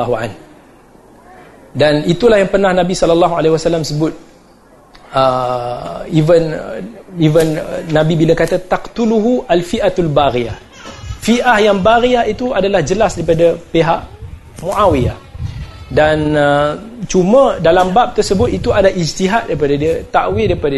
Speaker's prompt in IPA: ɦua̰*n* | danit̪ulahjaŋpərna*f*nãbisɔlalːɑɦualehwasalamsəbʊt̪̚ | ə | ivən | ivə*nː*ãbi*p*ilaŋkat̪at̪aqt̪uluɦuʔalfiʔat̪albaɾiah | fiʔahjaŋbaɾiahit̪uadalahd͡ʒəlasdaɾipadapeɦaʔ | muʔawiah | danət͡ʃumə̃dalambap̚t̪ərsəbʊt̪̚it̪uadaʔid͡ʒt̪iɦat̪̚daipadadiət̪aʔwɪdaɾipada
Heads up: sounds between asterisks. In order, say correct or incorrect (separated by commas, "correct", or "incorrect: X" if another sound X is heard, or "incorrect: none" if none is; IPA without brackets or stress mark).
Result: correct, incorrect: h, correct, incorrect: b